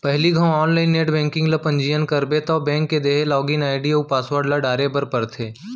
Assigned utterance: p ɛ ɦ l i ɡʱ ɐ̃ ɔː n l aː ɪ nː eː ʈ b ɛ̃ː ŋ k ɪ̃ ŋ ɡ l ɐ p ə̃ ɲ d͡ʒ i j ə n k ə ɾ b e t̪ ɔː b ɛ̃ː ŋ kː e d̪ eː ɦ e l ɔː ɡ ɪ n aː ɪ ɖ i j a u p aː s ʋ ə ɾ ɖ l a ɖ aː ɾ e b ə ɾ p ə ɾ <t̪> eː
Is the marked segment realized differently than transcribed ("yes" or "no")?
yes